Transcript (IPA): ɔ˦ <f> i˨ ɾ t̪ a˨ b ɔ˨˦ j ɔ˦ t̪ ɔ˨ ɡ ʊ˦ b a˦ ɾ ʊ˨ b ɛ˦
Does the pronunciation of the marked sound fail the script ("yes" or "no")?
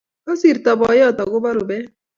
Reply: yes